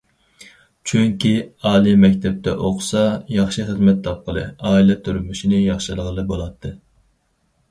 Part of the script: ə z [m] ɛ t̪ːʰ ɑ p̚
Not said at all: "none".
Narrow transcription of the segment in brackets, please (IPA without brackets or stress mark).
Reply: m